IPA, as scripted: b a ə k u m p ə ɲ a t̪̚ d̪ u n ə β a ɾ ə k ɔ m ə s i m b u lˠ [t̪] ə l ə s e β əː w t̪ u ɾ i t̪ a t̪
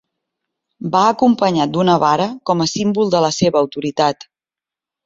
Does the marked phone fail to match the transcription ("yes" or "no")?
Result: yes